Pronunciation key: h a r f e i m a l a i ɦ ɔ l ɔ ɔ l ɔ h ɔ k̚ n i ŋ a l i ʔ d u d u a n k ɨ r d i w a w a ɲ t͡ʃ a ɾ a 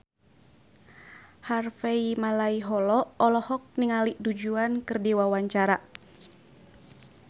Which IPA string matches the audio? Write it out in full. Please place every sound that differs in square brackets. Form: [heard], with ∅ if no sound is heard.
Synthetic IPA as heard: h a r f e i m a l a i ɦ ɔ l ɔ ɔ l ɔ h ɔ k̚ n i ŋ a l i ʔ d u [d͡ʒ] u a n k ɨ r d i w a w a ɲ t͡ʃ a ɾ a